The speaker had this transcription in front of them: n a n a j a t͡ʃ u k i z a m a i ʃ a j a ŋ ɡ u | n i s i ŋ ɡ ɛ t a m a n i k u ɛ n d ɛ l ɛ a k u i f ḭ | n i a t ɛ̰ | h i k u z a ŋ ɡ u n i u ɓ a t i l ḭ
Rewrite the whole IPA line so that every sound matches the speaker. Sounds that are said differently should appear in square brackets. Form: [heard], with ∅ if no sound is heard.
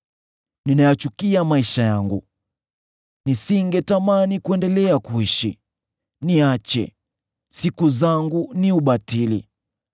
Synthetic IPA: n [i] n a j a t͡ʃ u k i [∅] a m a i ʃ a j a ŋ ɡ u | n i s i ŋ ɡ ɛ t a m a n i k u ɛ n d ɛ l ɛ a k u i [ʃ] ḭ | n i a [t͡ʃ] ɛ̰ | [s] i k u z a ŋ ɡ u n i u ɓ a t i l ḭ